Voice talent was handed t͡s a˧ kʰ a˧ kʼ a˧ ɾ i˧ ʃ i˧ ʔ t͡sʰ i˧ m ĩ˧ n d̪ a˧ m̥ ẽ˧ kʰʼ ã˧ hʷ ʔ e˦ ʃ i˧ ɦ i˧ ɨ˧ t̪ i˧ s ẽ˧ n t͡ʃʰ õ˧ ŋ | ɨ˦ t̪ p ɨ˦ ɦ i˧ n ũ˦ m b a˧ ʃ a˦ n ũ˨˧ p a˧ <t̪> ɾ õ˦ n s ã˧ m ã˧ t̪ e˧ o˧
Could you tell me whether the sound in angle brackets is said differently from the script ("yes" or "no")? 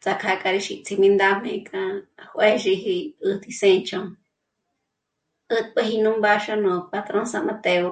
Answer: no